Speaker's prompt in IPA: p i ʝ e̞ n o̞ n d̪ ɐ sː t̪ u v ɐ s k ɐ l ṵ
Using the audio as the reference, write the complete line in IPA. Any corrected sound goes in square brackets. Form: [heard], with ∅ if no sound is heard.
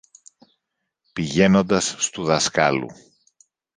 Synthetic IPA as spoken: p i ʝ e̞ n o̞ n d̪ ɐ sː t̪ u [ð] ɐ s k ɐ l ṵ